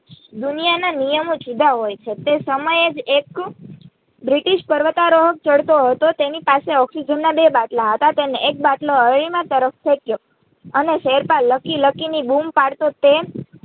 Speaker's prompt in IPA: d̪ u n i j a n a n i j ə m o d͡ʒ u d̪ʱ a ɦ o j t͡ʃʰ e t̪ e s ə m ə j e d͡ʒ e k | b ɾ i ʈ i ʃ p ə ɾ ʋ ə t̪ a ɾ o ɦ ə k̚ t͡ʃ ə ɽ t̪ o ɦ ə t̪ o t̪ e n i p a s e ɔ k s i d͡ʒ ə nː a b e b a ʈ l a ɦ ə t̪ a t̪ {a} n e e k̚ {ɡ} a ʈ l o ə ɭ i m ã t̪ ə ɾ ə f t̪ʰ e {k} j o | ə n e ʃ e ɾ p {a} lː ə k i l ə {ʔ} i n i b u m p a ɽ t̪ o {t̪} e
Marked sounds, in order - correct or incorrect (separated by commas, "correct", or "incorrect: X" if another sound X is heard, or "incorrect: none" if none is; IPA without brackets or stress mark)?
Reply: incorrect: e, incorrect: b, correct, correct, incorrect: k, correct